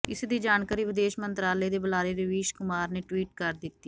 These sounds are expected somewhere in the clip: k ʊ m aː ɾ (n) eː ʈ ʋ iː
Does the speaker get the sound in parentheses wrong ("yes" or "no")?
no